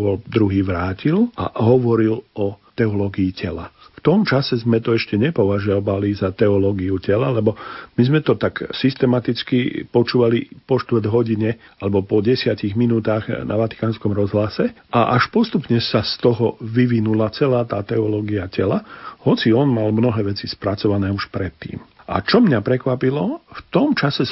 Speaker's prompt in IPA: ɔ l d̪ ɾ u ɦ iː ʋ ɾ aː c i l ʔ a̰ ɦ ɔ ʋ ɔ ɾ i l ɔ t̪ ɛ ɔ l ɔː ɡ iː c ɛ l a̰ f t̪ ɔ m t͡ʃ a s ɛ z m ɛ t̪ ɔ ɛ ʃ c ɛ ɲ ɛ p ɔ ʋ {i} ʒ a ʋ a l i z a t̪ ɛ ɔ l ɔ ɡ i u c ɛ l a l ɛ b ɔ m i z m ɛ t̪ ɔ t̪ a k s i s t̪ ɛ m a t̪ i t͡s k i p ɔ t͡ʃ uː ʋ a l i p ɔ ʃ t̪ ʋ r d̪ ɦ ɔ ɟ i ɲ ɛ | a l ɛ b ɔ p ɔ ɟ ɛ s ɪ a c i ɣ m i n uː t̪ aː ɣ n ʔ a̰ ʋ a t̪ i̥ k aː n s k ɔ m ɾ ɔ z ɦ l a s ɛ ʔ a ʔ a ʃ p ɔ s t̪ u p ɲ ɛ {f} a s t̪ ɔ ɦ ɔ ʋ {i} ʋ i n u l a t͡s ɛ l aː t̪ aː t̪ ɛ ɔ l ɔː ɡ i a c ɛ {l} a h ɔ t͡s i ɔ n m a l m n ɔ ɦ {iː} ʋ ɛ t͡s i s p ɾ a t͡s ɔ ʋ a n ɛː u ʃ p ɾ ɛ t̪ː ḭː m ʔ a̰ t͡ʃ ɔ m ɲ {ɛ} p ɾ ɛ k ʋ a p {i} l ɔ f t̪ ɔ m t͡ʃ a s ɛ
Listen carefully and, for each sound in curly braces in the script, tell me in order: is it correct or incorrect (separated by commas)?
incorrect, incorrect, correct, correct, incorrect, incorrect, correct